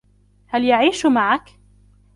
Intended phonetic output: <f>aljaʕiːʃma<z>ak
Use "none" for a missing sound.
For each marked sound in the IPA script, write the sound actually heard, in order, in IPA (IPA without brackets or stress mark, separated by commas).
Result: h, ʕ